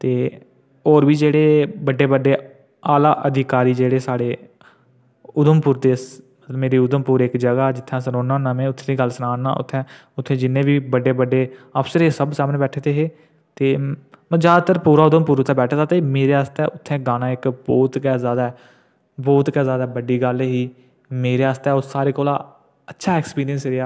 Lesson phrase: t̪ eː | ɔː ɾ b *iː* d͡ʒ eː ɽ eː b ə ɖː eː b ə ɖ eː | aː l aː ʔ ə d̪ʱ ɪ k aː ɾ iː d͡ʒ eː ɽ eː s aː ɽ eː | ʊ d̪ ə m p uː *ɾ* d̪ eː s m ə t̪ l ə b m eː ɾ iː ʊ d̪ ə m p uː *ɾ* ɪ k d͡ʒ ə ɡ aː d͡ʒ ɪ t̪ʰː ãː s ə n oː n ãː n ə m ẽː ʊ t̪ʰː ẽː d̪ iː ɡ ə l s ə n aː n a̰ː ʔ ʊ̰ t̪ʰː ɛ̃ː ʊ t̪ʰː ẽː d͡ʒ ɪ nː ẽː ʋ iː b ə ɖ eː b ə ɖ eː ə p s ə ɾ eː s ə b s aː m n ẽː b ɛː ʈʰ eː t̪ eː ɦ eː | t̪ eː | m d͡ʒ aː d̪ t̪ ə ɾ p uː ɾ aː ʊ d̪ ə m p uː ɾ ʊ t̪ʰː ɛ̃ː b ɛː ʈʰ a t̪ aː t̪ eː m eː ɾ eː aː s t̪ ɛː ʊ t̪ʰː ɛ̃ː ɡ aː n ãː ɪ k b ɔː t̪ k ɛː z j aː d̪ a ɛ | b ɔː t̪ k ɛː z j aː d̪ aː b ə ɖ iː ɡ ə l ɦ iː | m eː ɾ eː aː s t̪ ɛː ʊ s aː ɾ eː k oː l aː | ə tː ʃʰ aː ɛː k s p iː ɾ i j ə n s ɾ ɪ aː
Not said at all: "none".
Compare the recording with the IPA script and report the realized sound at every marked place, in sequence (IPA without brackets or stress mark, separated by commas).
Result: iː, ɾ, ɾ